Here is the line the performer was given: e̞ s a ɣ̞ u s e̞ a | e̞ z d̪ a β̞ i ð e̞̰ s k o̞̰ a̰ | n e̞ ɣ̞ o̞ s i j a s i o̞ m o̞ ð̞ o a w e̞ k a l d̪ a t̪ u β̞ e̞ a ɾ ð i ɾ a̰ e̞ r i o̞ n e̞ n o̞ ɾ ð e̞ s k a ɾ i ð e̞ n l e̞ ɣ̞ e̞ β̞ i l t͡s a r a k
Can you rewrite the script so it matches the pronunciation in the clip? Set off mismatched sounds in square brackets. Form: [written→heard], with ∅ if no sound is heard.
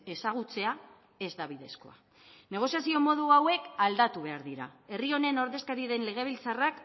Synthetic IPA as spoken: e̞ s a ɣ̞ u [s→t͡s] e̞ a | e̞ z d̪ a β̞ i ð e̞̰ s k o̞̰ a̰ | n e̞ ɣ̞ o̞ s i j a s i o̞ m o̞ ð̞ [o→u] a w e̞ k a l d̪ a t̪ u β̞ e̞ a ɾ ð i ɾ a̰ e̞ r i o̞ n e̞ n o̞ ɾ ð e̞ s k a ɾ i ð e̞ n l e̞ ɣ̞ e̞ β̞ i l t͡s a r a k